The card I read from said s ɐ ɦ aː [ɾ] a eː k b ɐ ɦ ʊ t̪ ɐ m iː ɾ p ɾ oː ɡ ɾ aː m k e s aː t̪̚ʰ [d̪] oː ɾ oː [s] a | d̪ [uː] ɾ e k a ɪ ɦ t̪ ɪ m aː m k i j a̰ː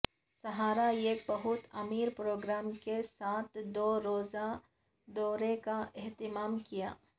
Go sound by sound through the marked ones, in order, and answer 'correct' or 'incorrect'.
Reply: correct, correct, incorrect: z, incorrect: ɔː

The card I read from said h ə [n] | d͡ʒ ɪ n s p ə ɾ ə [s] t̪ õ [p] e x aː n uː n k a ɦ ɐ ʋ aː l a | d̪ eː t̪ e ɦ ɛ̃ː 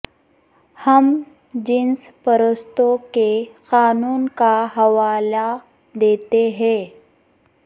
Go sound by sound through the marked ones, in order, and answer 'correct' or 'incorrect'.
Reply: incorrect: m, correct, incorrect: k

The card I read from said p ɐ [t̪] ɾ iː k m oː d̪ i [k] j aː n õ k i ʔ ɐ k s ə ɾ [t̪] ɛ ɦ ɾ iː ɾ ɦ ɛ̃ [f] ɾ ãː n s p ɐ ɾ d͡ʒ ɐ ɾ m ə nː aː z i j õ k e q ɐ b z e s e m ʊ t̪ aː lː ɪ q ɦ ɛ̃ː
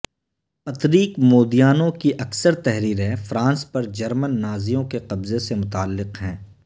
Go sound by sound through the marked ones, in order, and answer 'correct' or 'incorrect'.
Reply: correct, incorrect: none, correct, correct

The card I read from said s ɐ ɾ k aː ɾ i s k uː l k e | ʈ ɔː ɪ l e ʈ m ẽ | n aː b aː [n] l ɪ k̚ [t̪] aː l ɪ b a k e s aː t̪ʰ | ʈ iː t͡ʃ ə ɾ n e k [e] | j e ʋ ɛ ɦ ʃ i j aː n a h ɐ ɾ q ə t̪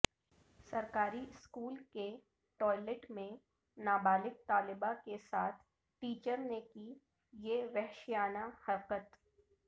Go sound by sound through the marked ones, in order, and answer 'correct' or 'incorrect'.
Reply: incorrect: none, correct, incorrect: i

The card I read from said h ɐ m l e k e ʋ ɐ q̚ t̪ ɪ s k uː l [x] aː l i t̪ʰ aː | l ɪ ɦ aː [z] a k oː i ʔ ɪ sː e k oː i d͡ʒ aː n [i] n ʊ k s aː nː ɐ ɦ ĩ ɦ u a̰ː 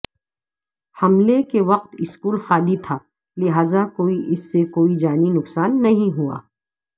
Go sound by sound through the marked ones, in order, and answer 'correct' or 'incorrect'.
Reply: correct, correct, correct

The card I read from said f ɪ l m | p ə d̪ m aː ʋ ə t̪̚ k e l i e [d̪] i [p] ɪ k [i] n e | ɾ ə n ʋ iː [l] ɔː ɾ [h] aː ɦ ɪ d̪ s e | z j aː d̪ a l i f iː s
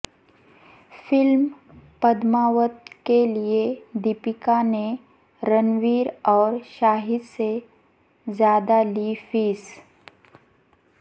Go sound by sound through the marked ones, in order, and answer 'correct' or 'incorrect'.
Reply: correct, correct, incorrect: a, incorrect: ɾ, incorrect: ʃ

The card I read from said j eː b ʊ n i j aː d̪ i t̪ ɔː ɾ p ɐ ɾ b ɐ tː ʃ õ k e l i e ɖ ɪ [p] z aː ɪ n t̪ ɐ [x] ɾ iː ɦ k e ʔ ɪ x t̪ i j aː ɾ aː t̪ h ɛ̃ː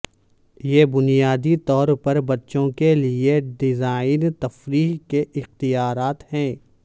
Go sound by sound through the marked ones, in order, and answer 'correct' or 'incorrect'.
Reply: incorrect: none, incorrect: f

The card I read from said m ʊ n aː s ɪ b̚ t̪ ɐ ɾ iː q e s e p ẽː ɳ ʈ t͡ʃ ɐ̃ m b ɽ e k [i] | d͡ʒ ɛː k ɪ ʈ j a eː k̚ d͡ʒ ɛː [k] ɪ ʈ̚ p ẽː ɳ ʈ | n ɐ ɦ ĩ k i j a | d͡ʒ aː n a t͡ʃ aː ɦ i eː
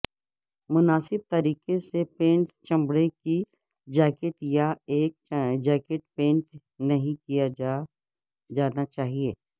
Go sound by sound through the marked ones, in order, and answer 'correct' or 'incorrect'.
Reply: correct, correct

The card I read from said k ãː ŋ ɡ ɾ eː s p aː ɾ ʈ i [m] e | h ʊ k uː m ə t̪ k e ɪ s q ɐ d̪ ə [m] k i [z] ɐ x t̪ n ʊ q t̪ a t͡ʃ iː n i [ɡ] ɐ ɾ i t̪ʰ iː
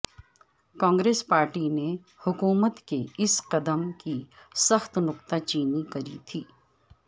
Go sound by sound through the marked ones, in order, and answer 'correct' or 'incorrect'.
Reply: incorrect: n, correct, incorrect: s, incorrect: k

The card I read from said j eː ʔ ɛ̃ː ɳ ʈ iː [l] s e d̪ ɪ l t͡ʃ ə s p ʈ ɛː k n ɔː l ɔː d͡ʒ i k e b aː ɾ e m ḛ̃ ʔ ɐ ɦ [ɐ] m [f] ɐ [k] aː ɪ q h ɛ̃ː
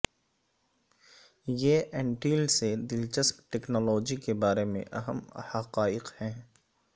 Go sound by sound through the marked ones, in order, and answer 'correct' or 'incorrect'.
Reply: correct, incorrect: ə, incorrect: h, incorrect: q

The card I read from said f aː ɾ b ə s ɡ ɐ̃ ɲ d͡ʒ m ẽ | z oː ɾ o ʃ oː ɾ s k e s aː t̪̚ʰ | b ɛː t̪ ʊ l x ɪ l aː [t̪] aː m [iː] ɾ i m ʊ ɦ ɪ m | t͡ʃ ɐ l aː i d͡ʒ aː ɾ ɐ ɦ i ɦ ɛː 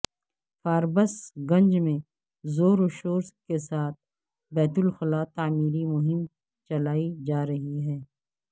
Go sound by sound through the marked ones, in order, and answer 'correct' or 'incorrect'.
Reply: correct, correct

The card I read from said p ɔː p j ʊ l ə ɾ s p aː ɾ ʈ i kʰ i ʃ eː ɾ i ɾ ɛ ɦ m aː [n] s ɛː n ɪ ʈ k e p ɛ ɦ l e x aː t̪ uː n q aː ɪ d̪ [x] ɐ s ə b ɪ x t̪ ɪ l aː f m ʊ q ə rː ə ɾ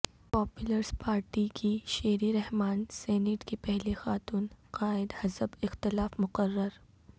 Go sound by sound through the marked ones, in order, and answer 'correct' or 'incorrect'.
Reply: correct, incorrect: h

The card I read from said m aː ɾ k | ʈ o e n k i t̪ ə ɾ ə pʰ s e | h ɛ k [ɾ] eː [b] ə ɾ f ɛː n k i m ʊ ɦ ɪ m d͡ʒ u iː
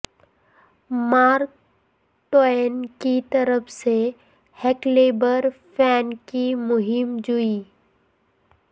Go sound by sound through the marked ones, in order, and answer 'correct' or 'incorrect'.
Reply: incorrect: l, correct

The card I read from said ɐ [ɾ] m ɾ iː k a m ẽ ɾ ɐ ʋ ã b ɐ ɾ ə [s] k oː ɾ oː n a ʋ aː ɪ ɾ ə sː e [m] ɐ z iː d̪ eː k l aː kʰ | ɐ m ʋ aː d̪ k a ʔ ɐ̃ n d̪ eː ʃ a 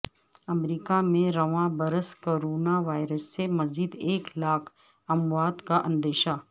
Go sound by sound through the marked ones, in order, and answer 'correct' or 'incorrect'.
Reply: incorrect: none, correct, correct

